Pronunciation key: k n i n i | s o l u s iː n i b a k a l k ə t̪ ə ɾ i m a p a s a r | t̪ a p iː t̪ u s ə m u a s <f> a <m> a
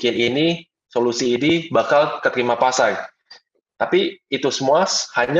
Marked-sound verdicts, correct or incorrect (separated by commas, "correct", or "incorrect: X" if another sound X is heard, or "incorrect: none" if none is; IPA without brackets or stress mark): incorrect: h, incorrect: ɲ